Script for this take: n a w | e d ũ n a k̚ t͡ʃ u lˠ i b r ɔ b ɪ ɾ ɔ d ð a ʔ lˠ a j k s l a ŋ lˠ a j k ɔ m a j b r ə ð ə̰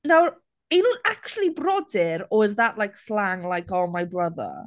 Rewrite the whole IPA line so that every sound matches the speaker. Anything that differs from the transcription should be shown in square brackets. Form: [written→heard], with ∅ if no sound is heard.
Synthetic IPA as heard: n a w | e [d→n] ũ n a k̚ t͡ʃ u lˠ i b r ɔ [b→d] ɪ ɾ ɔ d ð a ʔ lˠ a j k s l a ŋ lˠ a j k ɔ m a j b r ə ð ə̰